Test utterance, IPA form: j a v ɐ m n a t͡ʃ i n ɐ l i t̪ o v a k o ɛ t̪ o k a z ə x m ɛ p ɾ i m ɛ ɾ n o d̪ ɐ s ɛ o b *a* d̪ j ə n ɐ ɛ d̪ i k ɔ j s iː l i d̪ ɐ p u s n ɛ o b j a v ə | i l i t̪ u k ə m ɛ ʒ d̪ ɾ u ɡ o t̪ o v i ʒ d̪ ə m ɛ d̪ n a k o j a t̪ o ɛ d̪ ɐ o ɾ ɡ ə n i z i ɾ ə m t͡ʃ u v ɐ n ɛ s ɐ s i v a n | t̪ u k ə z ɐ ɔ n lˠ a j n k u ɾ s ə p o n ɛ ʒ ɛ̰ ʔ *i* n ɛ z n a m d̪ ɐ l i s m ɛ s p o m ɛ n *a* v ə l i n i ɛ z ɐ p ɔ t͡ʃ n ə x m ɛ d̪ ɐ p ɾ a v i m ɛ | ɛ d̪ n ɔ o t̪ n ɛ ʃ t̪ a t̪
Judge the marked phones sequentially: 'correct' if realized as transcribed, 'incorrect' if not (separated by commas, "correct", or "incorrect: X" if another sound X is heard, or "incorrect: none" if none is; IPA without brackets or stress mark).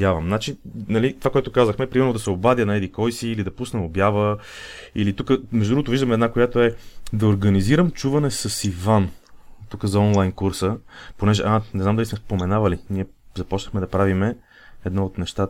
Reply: correct, incorrect: a, correct